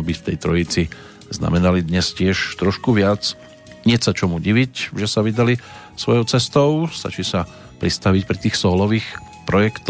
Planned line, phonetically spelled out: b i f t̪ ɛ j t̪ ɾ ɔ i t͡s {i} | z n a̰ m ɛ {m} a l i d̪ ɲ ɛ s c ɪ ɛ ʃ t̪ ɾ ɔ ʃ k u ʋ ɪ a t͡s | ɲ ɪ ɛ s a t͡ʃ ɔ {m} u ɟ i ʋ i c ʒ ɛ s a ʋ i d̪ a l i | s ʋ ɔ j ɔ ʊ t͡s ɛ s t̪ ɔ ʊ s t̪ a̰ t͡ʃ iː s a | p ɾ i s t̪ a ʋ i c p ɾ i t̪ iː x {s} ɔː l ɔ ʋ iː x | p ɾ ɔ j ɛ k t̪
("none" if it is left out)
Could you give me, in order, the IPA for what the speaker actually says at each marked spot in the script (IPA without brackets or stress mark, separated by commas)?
i, n, m, s